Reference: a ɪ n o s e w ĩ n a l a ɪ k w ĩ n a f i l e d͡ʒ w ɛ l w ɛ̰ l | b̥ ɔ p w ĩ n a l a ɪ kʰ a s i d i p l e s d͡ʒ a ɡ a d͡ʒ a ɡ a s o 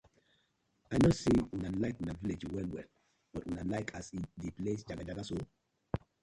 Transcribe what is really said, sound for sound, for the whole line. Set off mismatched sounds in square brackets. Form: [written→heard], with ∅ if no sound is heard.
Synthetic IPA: a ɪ n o s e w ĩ n a l a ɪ k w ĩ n a [f→v] i l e d͡ʒ w ɛ l w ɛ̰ l | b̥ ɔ [p→t] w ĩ n a l a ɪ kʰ a s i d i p l e s d͡ʒ a ɡ a d͡ʒ a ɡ a s o